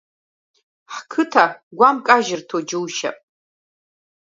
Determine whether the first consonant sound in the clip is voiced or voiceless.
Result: voiceless